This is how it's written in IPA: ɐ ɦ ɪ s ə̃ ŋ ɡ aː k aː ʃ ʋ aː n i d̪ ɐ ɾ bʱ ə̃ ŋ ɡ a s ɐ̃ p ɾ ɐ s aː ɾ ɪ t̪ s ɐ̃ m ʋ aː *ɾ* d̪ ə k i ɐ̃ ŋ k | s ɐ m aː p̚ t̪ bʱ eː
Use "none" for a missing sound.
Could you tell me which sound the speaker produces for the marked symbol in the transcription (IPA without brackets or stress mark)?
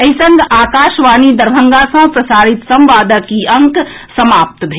none